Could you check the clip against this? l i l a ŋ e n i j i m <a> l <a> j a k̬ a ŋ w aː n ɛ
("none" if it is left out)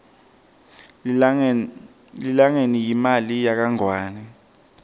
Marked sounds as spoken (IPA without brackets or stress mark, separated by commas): a, i